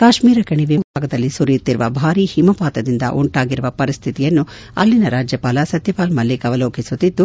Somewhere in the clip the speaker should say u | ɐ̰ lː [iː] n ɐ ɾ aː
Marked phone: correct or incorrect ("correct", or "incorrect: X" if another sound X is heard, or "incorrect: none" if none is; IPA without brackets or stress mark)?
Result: incorrect: i